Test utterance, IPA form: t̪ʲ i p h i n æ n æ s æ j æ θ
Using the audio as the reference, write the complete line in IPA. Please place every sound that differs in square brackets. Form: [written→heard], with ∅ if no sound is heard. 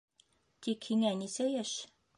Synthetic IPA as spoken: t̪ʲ i [p→k] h i [n→ŋ] æ n [æ→i] s æ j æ [θ→ʃ]